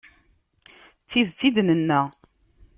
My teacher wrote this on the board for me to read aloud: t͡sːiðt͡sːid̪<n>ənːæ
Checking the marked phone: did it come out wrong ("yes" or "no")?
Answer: no